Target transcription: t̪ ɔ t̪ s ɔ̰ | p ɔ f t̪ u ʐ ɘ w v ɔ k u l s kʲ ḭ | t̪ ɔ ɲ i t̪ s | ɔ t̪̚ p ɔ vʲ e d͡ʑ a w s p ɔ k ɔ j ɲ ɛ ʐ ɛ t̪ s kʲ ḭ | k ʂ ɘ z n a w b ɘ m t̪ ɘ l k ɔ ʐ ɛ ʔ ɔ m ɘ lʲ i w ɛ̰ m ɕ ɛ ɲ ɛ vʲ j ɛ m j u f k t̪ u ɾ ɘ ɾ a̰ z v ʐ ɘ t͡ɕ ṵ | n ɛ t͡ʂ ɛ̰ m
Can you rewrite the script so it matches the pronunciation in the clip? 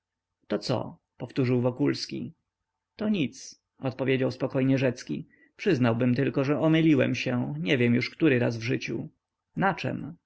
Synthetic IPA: t̪ ɔ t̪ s ɔ̰ | p ɔ f t̪ u ʐ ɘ w v ɔ k u l s kʲ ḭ | t̪ ɔ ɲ i t̪ s | ɔ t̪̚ p ɔ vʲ e d͡ʑ a w s p ɔ k ɔ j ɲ ɛ ʐ ɛ t̪ s kʲ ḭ | p ʂ ɘ z n a w b ɘ m t̪ ɘ l k ɔ ʐ ɛ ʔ ɔ m ɘ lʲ i w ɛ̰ m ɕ ɛ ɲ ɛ vʲ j ɛ m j u ʂ k t̪ u ɾ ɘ ɾ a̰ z v ʐ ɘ t͡ɕ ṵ | n a t͡ʂ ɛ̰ m